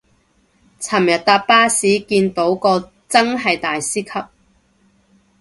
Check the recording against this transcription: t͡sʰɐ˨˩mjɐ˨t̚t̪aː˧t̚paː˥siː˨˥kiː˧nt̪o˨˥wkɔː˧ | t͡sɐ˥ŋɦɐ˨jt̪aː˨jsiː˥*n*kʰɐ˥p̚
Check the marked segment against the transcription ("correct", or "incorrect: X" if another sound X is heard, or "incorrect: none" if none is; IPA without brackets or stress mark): incorrect: none